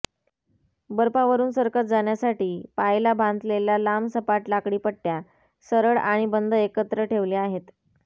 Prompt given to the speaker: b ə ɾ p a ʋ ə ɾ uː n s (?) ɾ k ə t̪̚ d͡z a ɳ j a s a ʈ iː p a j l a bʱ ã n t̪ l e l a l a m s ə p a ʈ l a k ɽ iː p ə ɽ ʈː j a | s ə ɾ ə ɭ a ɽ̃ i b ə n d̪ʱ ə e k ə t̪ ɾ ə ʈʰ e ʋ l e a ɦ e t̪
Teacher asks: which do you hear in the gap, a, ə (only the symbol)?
ə